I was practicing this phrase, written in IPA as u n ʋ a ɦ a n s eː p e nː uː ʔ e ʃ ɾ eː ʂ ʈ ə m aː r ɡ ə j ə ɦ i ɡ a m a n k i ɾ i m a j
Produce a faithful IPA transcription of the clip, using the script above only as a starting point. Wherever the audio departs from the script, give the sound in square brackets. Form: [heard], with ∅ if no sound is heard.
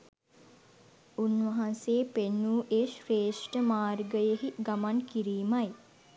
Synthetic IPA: u n ʋ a ɦ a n s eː p e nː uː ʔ e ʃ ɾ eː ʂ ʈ ə m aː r ɡ ə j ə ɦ i ɡ a m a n k i ɾ [iː] m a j